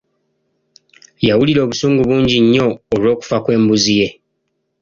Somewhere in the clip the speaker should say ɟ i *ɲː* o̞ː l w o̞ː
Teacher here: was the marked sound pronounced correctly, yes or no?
yes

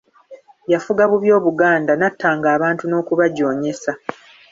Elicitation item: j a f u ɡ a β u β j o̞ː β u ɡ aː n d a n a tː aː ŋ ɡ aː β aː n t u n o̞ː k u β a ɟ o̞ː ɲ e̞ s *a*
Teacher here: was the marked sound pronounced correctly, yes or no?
yes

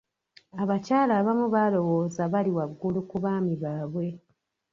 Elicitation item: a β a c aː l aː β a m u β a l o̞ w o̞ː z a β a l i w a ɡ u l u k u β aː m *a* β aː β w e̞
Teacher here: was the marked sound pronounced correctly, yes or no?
no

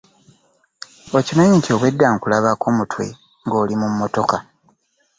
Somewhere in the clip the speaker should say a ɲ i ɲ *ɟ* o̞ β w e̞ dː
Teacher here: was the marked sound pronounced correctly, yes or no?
no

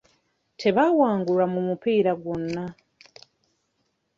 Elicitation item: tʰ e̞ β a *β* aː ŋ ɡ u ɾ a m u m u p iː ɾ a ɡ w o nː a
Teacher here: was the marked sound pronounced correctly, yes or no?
no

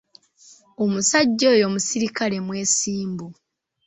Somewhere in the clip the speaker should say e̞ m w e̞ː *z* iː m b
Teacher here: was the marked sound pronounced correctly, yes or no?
no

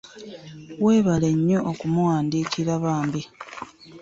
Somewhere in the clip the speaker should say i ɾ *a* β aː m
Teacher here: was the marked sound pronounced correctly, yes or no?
yes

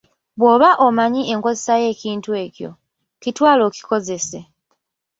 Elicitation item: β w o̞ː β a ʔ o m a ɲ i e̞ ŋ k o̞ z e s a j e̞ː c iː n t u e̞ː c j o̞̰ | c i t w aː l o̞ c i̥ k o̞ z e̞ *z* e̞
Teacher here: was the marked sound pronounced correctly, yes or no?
no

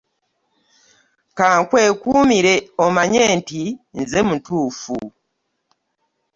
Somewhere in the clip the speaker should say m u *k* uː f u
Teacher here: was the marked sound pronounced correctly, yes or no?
no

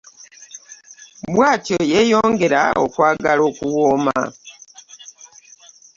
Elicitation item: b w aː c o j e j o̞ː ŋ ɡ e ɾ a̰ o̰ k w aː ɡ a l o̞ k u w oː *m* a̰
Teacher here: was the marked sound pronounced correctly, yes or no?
yes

